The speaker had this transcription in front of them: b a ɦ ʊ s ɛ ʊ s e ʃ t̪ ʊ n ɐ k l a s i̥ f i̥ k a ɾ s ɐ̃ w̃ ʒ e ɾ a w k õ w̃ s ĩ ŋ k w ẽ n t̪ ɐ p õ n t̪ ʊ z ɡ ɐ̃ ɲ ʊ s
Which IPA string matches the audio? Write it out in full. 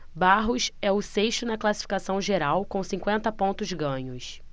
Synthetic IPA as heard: b a ɦ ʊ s ɛ ʊ s e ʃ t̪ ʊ n ɐ k l a s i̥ f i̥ k a s ɐ̃ w̃ ʒ e ɾ a w k õ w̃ s ĩ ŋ k w ẽ n t̪ ɐ p õ n t̪ ʊ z ɡ ɐ̃ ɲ ʊ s